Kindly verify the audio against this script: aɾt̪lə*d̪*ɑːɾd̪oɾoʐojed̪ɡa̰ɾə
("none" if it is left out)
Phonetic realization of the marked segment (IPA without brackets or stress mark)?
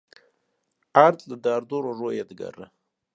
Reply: d̪